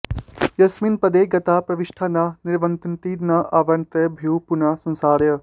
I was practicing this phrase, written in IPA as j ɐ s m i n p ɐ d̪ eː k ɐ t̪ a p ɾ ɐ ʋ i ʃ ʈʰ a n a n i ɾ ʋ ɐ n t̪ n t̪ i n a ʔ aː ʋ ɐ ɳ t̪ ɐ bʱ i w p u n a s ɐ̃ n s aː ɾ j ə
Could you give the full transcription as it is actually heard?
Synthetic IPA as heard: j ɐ s m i n p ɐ d̪ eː ɡ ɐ t̪ a p ɾ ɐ ʋ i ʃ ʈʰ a n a n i ɾ ʋ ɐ n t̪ n t̪ i n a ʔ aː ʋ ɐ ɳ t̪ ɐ bʱ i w p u n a s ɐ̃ n s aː ɾ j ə